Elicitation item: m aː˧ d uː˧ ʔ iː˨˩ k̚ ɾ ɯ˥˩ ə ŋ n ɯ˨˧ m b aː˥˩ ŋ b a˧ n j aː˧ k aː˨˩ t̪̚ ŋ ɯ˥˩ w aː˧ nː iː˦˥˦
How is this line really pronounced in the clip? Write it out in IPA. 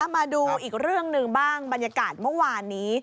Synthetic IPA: m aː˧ d uː˧ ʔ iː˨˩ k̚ ɾ ɯ˥˩ ə ŋ n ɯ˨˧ ŋ b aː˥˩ ŋ b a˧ n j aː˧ k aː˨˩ t̪̚ m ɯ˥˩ w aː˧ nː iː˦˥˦